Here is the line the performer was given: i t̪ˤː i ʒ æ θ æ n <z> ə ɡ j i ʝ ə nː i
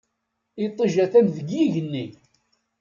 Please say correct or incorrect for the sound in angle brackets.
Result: incorrect